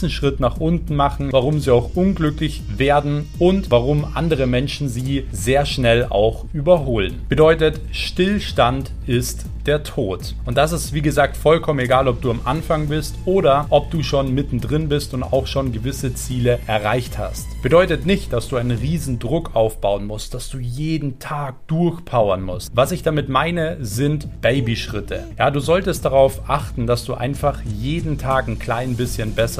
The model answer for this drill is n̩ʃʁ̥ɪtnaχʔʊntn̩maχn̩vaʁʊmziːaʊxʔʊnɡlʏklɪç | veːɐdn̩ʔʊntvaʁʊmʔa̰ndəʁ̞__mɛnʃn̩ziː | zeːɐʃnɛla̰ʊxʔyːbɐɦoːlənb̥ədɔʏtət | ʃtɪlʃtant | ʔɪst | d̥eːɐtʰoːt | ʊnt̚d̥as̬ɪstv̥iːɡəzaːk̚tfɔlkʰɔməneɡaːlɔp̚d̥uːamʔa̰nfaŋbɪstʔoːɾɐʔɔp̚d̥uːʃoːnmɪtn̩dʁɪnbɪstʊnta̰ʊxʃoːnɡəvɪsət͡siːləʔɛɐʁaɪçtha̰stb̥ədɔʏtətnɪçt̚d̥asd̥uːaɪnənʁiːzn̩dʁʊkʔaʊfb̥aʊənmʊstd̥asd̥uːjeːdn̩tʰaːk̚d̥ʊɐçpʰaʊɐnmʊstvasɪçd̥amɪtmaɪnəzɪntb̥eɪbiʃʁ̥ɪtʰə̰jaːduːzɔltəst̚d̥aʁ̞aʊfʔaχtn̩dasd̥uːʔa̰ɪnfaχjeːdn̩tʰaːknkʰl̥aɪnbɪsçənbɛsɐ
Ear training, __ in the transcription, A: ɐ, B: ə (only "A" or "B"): B